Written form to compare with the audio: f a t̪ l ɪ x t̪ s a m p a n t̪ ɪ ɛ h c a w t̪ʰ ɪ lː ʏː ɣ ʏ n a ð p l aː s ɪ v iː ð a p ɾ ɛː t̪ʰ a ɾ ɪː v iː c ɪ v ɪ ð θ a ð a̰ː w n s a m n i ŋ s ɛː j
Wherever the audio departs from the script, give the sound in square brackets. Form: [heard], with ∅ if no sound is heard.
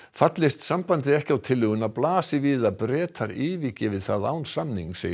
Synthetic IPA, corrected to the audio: f a t̪ l ɪ [s] t̪ s a m p a n t̪ ɪ ɛ h c a w t̪ʰ ɪ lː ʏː ɣ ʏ n a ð p l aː s ɪ v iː ð a p ɾ ɛː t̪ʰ a ɾ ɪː v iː c ɪ v ɪ ð θ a ð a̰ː w n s a m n i ŋ s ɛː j